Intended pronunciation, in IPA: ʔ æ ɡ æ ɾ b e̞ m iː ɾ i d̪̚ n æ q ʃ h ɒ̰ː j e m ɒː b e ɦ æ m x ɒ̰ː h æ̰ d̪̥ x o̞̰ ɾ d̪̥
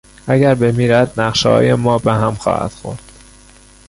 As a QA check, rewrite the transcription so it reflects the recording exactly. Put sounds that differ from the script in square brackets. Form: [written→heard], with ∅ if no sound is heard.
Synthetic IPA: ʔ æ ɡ æ ɾ b e̞ m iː ɾ [i→æ] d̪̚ n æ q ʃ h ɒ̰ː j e m ɒː b e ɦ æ m x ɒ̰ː h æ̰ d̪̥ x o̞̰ ɾ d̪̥